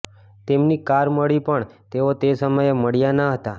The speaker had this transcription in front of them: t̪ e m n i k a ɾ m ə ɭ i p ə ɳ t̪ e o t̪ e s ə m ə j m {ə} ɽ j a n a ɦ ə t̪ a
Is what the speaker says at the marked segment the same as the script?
yes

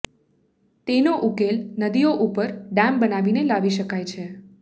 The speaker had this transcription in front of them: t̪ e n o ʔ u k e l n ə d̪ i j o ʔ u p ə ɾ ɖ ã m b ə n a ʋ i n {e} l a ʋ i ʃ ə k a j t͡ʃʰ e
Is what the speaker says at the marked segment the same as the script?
yes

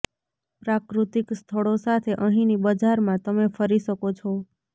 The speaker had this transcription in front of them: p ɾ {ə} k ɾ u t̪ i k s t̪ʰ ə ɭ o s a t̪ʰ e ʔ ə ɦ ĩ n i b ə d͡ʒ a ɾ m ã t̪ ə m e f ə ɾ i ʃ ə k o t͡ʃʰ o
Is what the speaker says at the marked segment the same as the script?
no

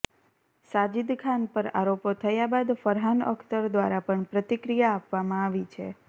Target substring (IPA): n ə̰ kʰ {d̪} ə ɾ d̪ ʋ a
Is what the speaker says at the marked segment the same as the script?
no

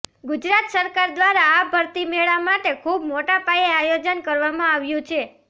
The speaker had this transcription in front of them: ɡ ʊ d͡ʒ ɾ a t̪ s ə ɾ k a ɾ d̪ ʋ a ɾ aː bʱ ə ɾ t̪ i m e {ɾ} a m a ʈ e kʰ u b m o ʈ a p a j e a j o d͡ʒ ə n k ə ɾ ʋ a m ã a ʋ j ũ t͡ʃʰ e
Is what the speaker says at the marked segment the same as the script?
no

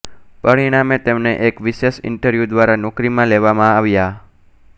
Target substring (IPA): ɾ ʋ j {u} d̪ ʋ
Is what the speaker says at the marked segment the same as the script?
yes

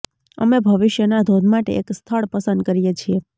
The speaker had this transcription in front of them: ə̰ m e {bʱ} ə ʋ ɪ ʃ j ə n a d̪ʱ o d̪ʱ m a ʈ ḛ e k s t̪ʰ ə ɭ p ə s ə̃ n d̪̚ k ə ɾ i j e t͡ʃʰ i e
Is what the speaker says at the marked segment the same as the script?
yes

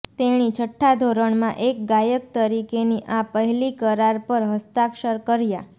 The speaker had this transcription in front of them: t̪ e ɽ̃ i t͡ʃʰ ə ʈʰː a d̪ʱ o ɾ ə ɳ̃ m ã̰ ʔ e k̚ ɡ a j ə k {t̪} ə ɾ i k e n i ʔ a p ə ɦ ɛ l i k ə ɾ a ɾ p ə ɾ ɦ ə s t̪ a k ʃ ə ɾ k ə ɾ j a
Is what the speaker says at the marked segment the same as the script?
yes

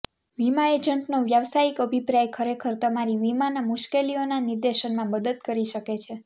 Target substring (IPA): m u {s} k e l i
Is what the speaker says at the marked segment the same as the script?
no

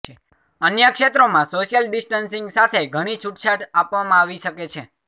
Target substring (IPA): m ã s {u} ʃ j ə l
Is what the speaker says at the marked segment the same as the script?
no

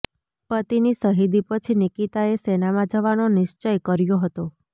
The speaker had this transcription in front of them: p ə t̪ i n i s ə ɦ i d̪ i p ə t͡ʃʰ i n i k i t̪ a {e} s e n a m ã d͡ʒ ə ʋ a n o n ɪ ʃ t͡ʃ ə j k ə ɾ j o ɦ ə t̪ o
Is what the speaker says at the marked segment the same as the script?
yes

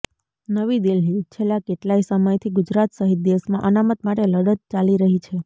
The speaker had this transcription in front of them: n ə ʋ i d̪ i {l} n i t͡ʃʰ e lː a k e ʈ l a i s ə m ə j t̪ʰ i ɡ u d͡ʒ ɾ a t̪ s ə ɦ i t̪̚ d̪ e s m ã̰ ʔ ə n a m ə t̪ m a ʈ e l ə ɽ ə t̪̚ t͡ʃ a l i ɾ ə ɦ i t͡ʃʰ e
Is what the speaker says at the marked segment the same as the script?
yes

